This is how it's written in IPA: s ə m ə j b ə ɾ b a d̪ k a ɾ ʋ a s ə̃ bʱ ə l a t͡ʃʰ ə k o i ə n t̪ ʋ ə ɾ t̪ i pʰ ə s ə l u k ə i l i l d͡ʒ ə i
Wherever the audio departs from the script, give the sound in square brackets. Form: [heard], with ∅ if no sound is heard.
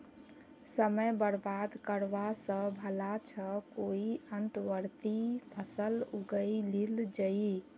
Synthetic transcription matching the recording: s ə m ə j b ə ɾ b a d̪ k [ə] ɾ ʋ a s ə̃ bʱ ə l a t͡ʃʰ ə k o i ə n t̪ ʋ ə ɾ t̪ i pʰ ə s ə l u [ɡ] ə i l i l d͡ʒ ə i